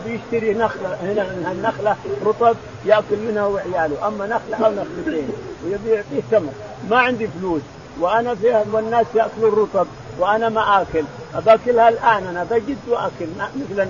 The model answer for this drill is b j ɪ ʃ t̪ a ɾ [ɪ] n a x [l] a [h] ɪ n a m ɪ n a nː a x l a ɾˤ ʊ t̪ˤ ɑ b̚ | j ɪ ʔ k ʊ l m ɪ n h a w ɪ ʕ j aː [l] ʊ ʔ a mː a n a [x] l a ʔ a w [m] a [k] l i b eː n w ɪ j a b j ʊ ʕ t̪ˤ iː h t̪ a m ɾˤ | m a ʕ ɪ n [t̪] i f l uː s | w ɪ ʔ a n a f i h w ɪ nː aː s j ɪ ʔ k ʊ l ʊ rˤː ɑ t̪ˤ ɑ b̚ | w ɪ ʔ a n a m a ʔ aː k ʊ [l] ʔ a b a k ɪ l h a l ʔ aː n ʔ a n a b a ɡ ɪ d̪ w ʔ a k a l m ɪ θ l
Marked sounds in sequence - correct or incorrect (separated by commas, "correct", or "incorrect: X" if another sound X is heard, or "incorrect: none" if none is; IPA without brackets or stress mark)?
incorrect: i, correct, correct, correct, correct, incorrect: n, incorrect: x, incorrect: d̪, correct